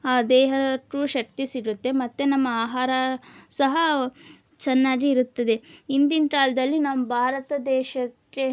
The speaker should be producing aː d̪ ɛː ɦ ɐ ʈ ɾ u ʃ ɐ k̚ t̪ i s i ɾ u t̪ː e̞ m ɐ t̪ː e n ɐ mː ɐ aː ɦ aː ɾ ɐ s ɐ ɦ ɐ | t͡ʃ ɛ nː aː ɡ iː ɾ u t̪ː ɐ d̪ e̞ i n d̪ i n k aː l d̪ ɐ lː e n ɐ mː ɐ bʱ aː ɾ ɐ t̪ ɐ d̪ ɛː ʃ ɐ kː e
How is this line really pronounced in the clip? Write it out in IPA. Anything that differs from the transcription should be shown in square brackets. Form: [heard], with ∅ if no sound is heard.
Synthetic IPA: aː d̪ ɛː ɦ ɐ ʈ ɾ u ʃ ɐ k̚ t̪ i s i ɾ u t̪ː e̞ m ɐ t̪ː e n ɐ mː ɐ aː ɦ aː ɾ ɐ s ɐ ɦ ɐ | t͡ʃ ɛ nː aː ɡ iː ɾ u t̪ː ɐ d̪ e̞ i n d̪ i n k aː l d̪ ɐ lː [i] n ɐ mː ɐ bʱ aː ɾ ɐ t̪ ɐ d̪ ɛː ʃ ɐ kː e